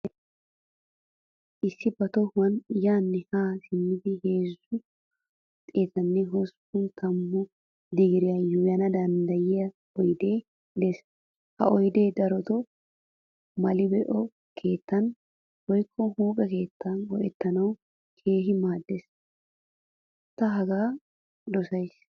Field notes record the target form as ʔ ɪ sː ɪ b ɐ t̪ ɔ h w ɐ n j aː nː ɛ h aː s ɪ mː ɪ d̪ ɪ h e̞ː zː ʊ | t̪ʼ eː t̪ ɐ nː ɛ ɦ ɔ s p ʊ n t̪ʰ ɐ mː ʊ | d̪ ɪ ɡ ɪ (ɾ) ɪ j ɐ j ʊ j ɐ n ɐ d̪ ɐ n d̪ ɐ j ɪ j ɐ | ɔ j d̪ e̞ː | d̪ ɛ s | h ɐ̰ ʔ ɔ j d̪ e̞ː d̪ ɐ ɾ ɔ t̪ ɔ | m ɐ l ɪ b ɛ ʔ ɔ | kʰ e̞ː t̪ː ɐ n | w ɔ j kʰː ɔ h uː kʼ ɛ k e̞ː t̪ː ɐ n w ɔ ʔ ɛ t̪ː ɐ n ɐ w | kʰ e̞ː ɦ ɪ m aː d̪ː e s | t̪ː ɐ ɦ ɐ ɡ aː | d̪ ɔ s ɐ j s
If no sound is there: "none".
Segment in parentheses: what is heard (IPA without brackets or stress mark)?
ɾ